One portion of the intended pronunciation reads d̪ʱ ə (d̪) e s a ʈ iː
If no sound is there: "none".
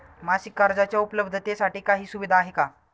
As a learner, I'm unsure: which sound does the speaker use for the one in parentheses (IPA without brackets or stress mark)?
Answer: t̪